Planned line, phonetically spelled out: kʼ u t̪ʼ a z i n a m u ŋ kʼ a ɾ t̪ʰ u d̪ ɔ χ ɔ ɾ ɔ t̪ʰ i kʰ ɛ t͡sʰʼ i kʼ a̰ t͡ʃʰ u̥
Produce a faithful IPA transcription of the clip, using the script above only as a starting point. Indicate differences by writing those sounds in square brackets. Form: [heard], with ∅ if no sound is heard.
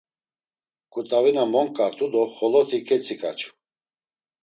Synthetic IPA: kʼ u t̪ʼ a [v] i n a m [ɔ] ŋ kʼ a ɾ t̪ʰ u d̪ ɔ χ ɔ [l] ɔ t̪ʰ i kʰ ɛ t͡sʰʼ i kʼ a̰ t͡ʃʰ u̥

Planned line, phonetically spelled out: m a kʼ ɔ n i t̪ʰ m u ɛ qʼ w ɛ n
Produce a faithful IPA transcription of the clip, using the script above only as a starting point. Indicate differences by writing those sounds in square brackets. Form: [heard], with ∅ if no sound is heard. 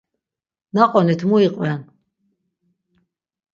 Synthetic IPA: [n] a [qʼ] ɔ n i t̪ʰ m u [i] qʼ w ɛ n

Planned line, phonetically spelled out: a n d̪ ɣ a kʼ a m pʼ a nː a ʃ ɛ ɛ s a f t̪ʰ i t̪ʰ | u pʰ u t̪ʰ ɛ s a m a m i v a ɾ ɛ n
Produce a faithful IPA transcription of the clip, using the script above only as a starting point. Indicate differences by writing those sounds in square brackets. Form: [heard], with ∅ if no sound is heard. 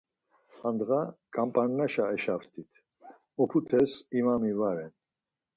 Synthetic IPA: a n d̪ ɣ a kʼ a m pʼ a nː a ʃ [a] ɛ [ʃ] a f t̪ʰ i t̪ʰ | [ɔ] pʰ u t̪ʰ ɛ s [i] m a m i v a ɾ ɛ n

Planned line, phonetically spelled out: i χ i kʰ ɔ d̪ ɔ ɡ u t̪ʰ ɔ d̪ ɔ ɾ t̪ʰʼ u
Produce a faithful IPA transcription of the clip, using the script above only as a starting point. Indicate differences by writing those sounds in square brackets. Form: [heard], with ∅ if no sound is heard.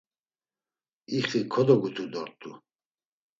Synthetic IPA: i χ i kʰ ɔ d̪ ɔ ɡ u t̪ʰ [u] d̪ ɔ ɾ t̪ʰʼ u

